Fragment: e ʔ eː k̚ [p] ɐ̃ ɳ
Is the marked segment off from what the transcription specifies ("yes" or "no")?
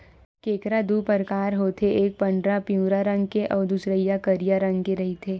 no